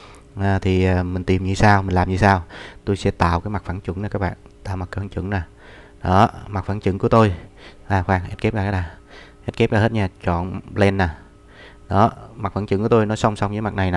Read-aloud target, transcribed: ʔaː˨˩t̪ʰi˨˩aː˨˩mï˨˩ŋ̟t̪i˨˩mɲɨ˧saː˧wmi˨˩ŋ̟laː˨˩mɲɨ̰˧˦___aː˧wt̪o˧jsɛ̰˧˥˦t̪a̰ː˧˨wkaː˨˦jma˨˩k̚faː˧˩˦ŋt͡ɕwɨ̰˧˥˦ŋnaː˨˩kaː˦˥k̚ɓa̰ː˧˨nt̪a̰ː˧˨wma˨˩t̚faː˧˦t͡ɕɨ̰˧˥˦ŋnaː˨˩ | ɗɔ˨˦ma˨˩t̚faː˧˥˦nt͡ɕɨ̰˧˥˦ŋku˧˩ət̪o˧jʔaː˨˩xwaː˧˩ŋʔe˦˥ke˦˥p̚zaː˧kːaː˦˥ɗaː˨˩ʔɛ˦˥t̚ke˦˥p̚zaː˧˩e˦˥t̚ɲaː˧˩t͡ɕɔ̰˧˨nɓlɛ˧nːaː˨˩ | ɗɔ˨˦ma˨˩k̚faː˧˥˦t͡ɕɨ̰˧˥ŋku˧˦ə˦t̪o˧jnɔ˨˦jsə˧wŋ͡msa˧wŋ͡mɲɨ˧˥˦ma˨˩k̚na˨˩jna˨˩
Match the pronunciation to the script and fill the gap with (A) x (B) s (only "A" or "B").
B